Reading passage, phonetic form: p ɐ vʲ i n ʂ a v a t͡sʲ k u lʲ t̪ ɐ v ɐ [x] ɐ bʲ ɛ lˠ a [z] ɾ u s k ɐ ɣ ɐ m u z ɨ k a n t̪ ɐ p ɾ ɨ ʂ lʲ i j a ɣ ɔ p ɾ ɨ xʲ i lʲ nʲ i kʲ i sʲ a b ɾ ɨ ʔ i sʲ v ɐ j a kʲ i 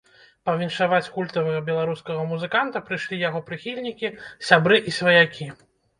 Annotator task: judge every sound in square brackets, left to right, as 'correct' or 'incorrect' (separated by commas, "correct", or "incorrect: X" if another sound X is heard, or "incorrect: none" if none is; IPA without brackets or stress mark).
incorrect: ɣ, incorrect: none